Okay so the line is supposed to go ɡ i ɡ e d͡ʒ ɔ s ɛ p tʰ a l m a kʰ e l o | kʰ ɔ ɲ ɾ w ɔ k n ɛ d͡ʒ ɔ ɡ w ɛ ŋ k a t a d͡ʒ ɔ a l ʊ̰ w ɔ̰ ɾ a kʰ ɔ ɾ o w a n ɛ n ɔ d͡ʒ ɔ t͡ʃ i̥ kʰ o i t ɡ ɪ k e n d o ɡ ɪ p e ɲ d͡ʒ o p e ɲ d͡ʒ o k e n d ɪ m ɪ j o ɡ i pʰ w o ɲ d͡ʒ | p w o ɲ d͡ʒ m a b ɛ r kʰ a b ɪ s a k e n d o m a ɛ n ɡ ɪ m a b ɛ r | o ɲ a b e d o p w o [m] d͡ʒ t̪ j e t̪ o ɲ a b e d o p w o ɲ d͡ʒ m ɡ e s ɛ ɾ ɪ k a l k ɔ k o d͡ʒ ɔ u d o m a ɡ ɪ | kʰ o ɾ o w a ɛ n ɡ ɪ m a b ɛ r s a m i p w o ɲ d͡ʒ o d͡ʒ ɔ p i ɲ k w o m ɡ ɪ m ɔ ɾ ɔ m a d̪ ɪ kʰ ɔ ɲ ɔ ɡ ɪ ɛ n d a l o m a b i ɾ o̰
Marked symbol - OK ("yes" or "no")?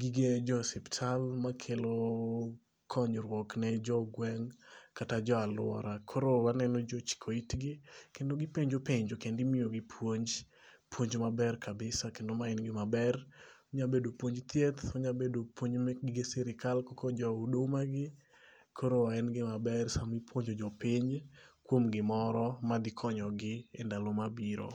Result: no